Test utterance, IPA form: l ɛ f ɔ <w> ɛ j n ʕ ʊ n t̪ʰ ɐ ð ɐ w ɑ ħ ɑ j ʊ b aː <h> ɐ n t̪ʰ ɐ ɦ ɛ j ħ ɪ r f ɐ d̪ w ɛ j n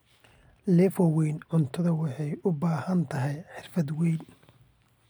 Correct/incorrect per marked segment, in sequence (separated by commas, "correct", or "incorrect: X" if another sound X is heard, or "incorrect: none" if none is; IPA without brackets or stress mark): correct, correct